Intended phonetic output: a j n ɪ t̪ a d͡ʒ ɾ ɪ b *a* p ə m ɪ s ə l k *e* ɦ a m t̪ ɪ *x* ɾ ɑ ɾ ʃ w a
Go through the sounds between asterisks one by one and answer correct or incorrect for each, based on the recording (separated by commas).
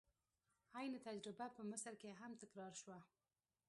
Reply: correct, correct, incorrect